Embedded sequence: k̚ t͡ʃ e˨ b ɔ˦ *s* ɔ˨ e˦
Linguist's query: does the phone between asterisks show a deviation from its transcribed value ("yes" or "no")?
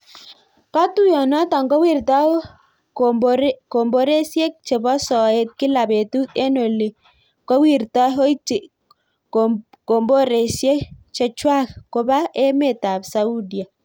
no